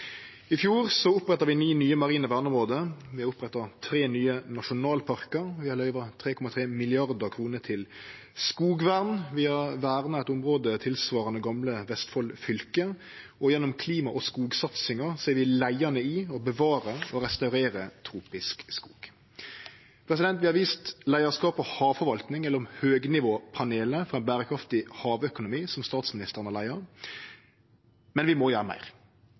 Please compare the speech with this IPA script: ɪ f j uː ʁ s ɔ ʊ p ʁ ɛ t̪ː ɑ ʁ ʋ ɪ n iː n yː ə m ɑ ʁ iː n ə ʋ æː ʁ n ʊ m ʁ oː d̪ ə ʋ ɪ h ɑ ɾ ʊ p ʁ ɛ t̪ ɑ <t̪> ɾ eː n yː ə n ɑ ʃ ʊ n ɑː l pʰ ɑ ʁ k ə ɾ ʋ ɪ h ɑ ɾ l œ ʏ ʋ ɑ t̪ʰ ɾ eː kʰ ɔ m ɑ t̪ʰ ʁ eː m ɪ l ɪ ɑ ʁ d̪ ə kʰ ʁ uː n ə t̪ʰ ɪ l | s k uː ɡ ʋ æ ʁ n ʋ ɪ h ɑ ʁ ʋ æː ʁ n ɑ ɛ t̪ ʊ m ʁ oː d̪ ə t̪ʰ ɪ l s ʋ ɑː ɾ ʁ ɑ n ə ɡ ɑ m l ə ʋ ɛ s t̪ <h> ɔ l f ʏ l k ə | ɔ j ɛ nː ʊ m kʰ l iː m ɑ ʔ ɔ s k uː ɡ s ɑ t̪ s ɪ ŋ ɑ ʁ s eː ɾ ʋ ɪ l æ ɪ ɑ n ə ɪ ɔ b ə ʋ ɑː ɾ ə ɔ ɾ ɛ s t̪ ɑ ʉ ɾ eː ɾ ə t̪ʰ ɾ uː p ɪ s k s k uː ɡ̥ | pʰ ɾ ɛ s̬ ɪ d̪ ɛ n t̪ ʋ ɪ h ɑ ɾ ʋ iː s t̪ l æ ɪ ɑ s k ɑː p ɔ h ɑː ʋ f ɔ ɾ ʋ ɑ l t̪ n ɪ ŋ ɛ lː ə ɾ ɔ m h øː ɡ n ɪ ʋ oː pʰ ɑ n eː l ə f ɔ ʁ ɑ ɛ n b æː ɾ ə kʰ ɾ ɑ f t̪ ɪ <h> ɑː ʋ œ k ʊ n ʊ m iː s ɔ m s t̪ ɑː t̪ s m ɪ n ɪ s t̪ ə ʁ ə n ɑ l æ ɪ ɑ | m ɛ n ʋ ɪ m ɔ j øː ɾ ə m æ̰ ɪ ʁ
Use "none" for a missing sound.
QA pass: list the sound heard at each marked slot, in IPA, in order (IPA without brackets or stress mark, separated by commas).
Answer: t̪ʰ, f, h